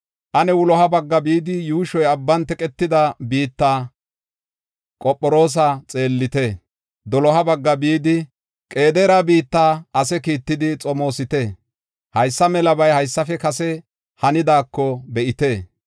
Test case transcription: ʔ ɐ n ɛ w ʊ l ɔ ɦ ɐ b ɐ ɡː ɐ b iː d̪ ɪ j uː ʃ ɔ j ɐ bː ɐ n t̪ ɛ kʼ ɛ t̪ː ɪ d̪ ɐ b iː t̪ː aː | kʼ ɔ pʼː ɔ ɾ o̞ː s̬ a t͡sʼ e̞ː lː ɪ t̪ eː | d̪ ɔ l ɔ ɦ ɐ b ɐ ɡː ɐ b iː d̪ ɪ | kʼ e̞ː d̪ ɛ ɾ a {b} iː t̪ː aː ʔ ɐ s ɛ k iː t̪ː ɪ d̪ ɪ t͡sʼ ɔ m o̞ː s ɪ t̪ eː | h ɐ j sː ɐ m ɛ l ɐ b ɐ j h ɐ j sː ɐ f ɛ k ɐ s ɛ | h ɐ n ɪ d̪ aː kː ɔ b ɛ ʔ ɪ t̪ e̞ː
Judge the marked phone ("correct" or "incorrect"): correct